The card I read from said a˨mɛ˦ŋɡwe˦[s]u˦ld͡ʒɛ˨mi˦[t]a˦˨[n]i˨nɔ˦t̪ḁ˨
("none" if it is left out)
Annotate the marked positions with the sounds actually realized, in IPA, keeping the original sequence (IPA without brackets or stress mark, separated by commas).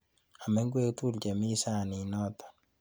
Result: t, s, n